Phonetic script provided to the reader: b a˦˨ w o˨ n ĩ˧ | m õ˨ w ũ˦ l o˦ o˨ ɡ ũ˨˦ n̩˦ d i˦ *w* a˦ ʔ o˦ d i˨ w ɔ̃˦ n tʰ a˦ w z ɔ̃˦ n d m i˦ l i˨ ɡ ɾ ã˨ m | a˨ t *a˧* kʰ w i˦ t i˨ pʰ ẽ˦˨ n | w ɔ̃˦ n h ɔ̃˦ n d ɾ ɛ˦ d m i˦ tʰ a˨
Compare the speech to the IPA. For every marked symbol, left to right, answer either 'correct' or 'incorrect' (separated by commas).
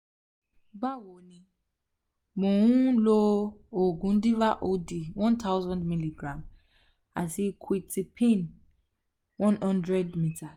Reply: incorrect, incorrect